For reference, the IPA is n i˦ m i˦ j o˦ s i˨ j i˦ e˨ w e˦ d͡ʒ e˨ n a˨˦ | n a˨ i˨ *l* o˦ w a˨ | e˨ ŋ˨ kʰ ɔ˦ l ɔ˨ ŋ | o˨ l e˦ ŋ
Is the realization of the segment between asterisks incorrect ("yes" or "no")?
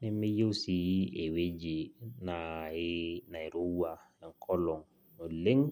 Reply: yes